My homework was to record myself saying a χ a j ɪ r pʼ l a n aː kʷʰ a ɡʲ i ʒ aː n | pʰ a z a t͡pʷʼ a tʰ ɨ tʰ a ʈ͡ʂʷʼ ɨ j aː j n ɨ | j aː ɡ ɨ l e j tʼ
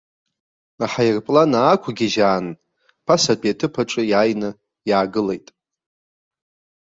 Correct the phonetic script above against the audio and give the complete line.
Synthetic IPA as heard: a ħ a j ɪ r pʼ l a n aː kʷʰ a ɡʲ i ʒ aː n | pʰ a s a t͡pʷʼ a tʰ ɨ pʰ a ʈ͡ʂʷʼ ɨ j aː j n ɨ | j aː ɡ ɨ l e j tʼ